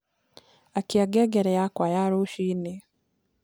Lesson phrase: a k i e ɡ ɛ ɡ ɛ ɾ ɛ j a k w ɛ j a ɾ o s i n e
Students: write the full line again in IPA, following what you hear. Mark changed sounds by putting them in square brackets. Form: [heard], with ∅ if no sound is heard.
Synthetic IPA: a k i [a] ɡ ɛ ɡ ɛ ɾ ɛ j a k w [a] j a ɾ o [ʃ] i n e